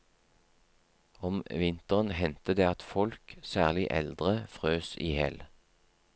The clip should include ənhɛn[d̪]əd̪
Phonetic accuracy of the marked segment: incorrect: t̪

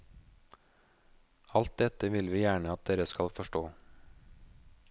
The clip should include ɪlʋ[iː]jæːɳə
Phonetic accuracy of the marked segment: correct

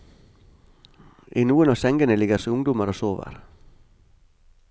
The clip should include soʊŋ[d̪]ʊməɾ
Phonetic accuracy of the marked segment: correct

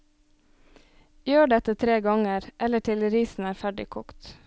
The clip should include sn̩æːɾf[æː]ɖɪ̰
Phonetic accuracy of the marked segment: incorrect: æ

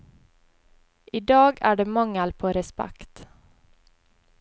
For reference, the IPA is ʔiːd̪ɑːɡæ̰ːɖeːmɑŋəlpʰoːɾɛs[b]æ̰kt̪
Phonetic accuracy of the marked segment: incorrect: p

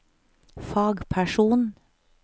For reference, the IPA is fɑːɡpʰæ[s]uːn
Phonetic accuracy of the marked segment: incorrect: ʃ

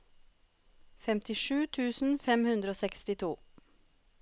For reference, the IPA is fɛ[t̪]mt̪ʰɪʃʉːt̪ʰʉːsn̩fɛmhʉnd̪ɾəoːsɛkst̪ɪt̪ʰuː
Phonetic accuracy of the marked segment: incorrect: none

